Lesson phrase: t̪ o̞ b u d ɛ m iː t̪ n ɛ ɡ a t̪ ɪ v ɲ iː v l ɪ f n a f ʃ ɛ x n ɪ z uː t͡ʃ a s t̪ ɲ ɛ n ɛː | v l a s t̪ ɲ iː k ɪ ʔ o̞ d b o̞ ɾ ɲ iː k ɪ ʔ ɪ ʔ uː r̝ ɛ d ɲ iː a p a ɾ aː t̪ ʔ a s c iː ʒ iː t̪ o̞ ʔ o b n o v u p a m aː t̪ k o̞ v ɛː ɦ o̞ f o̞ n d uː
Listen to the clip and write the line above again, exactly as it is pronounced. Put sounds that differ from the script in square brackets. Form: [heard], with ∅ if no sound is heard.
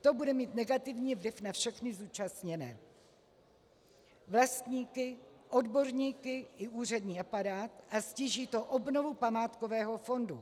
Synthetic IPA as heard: t̪ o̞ b u d ɛ m iː t̪ n ɛ ɡ a t̪ ɪ v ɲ iː v l ɪ f n a f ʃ ɛ x n ɪ z uː t͡ʃ a s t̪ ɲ ɛ n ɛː | v l a s t̪ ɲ iː k ɪ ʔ o̞ d b o̞ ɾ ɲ iː k ɪ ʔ ɪ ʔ uː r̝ ɛ d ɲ iː a p a ɾ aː t̪ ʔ a s c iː ʒ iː t̪ o̞ ʔ o b n o v u p a m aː t̪ k o̞ v ɛː ɦ o̞ f o̞ n d [u]